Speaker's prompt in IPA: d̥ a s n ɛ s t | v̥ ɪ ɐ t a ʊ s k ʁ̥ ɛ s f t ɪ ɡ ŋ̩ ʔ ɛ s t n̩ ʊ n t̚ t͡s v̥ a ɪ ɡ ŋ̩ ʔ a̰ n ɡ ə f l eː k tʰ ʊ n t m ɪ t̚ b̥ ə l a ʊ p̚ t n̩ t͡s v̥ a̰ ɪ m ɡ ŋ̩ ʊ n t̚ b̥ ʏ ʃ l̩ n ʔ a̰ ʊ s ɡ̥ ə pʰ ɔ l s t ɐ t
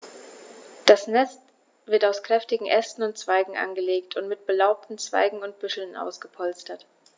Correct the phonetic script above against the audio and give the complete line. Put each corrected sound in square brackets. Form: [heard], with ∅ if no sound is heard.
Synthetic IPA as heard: d̥ a s n ɛ s t | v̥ ɪ ɐ t a ʊ s k ʁ̥ ɛ [∅] f t ɪ ɡ ŋ̩ ʔ ɛ s t n̩ ʊ n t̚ t͡s v̥ a ɪ ɡ ŋ̩ ʔ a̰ n ɡ ə [∅] l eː k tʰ ʊ n t m ɪ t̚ b̥ ə l a ʊ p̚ t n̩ t͡s v̥ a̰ ɪ [∅] ɡ ŋ̩ ʊ n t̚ b̥ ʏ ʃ l̩ n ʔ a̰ ʊ s ɡ̥ ə pʰ ɔ l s t ɐ t